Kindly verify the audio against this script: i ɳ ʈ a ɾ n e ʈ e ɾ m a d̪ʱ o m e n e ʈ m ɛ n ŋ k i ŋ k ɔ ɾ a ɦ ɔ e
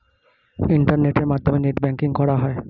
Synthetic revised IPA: i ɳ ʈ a ɾ n e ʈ e ɾ m a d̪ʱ o m e n e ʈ b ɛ ŋ k i ŋ k ɔ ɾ a ɦ ɔ e